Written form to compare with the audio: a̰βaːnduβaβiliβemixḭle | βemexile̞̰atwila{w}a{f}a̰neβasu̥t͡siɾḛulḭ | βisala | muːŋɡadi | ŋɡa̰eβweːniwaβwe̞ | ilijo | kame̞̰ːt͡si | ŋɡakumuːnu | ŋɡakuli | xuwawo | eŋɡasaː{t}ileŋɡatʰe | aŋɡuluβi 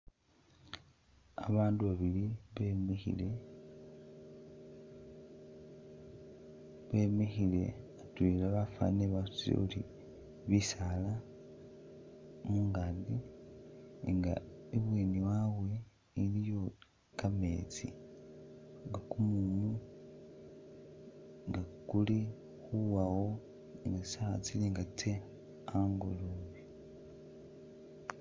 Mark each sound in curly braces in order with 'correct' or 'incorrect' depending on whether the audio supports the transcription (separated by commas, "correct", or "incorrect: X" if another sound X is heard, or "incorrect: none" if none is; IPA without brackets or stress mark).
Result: incorrect: β, correct, incorrect: t͡s